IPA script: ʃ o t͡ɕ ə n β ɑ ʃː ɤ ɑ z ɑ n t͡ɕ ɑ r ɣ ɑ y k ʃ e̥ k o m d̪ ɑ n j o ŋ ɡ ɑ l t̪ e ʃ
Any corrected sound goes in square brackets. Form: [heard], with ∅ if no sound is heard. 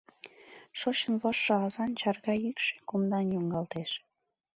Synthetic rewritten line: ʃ o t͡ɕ ə n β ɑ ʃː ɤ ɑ z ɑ n t͡ɕ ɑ r ɣ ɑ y k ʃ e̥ k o m d̪ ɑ n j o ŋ ɡ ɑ l t̪ e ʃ